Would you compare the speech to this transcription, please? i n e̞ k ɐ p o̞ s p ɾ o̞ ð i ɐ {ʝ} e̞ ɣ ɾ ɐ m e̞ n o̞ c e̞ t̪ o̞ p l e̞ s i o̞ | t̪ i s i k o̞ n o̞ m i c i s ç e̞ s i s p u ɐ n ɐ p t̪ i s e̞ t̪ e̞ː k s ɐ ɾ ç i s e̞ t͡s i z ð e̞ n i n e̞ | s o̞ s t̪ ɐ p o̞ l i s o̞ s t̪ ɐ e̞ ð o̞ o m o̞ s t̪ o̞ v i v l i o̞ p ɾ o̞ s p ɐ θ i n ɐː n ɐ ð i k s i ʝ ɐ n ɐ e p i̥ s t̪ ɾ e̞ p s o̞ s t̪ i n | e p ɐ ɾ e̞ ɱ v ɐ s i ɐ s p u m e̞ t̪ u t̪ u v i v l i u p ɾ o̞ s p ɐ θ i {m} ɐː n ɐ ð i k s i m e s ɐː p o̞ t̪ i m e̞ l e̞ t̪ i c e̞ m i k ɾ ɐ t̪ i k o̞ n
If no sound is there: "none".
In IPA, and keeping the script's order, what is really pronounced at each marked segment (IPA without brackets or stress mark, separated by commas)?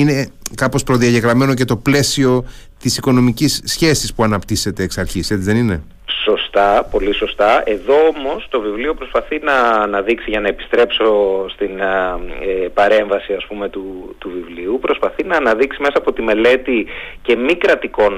ʝ, n